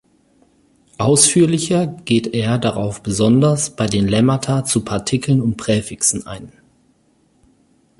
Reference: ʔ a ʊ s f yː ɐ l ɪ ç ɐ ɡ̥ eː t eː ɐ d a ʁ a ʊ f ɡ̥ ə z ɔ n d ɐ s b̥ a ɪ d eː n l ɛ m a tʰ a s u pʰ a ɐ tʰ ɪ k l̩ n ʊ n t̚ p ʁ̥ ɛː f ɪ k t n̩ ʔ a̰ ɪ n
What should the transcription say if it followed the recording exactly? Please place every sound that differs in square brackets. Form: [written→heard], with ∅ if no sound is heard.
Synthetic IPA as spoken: ʔ a ʊ s f yː ɐ l ɪ ç ɐ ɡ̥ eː t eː ɐ d a ʁ a ʊ f [ɡ̥→b̥] ə z ɔ n d ɐ s b̥ a ɪ d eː n l ɛ m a tʰ a [s→t͡s] u pʰ a ɐ tʰ ɪ k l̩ n ʊ n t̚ p ʁ̥ ɛː f ɪ k [t→s] n̩ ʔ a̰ ɪ n

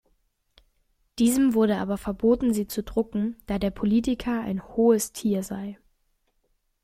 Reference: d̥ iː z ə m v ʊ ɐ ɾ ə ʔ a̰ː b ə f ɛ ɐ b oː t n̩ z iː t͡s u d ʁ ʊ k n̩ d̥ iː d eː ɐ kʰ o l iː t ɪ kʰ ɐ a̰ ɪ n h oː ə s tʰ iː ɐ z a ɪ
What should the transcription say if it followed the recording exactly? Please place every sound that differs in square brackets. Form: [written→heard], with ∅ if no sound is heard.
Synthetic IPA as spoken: d̥ iː z ə m v ʊ ɐ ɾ ə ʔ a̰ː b [ə→ɐ] f ɛ ɐ b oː t n̩ z iː t͡s u d ʁ ʊ k [n̩→ŋ̩] d̥ [iː→aː] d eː ɐ [kʰ→pʰ] o l iː t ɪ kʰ ɐ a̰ ɪ n h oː ə s tʰ iː ɐ z a ɪ

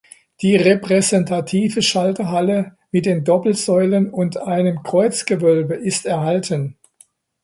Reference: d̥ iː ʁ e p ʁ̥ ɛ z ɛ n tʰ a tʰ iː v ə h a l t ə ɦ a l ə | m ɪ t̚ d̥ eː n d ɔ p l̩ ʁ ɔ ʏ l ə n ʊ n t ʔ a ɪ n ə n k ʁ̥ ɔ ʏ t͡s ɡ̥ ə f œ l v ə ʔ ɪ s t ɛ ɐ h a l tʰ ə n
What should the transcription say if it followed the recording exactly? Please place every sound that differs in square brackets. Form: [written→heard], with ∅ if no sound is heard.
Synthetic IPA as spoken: d̥ iː ʁ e p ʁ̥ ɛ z ɛ n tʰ a tʰ iː v ə [h→ʃ] a l t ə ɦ a l ə | m ɪ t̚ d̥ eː n d ɔ p l̩ [ʁ→z] ɔ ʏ l ə n ʊ n t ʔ a ɪ n ə [n→m] k ʁ̥ ɔ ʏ t͡s ɡ̥ ə [f→v] œ l [v→b] ə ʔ ɪ s t ɛ ɐ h a l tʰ ə n

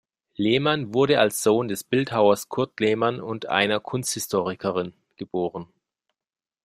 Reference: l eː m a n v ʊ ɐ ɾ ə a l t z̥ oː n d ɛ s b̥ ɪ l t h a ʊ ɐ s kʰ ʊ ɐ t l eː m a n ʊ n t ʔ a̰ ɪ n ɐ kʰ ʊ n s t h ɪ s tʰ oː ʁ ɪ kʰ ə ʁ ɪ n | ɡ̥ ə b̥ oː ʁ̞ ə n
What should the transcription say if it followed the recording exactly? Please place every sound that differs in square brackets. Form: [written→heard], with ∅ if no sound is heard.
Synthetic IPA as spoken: l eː m a n v ʊ ɐ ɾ ə a l [t→s] z̥ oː n d ɛ s b̥ ɪ l t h a ʊ ɐ s kʰ ʊ ɐ t l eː m a n ʊ n t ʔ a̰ ɪ n ɐ kʰ ʊ n s t h ɪ s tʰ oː ʁ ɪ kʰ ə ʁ ɪ n | ɡ̥ ə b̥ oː ʁ̞ ə n

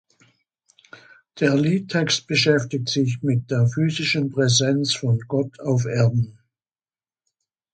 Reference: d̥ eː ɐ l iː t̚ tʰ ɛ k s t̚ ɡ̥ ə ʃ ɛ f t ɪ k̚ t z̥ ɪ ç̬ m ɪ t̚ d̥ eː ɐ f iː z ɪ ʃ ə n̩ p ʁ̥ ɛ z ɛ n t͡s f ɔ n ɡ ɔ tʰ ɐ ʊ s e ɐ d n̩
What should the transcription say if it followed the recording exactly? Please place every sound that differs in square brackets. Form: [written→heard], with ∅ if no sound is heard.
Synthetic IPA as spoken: d̥ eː ɐ l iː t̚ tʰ ɛ k s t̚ [ɡ̥→b̥] ə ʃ ɛ f t ɪ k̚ t z̥ ɪ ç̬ m ɪ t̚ d̥ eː ɐ f [iː→yː] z ɪ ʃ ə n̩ p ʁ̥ ɛ z ɛ n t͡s f ɔ n ɡ ɔ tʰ [ɐ→a] ʊ [s→f] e ɐ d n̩

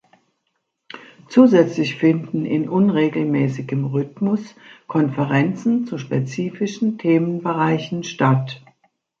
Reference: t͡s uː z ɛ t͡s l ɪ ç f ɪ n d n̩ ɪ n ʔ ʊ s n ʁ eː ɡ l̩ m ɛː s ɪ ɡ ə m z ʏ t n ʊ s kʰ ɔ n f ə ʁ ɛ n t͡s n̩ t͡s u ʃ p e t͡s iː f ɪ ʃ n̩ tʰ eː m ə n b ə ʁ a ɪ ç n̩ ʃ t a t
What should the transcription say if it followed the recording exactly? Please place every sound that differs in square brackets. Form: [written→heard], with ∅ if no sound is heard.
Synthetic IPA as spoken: t͡s uː z ɛ t͡s l ɪ ç f ɪ n d n̩ ɪ n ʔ ʊ [s→∅] n ʁ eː ɡ l̩ m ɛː s ɪ ɡ ə m [z→ʁ] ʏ t [n→m] ʊ s kʰ ɔ n f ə ʁ ɛ n t͡s n̩ t͡s u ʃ p e t͡s iː f ɪ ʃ n̩ tʰ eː m ə n b ə ʁ a ɪ ç n̩ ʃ t a t

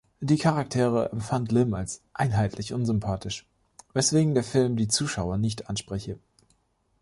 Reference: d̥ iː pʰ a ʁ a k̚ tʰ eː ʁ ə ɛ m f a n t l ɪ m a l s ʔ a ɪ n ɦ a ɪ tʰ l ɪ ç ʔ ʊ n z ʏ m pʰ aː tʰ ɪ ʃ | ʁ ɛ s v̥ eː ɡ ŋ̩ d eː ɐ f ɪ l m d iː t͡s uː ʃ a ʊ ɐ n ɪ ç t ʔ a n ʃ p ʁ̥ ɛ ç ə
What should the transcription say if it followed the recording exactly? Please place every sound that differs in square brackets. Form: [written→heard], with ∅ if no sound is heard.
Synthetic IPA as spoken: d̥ iː [pʰ→kʰ] a ʁ a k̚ tʰ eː ʁ ə ɛ m f a n t l ɪ m a l s ʔ a ɪ n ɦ a ɪ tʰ l ɪ ç ʔ ʊ n z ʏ m pʰ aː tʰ ɪ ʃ | [ʁ→v] ɛ s v̥ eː ɡ ŋ̩ d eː ɐ f ɪ l m d iː t͡s uː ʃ a ʊ ɐ n ɪ ç t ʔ a n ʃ p ʁ̥ ɛ ç ə

